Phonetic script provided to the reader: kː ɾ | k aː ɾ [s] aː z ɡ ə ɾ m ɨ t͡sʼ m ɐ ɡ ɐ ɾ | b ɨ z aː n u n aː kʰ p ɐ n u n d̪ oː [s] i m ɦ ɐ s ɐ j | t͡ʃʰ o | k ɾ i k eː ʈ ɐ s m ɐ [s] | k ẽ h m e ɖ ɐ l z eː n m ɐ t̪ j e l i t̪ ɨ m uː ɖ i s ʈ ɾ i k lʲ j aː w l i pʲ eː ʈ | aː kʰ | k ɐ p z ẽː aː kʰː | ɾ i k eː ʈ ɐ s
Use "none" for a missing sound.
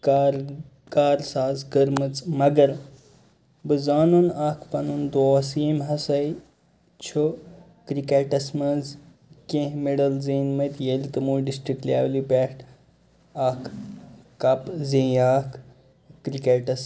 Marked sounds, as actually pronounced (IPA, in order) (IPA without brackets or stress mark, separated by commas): s, s, z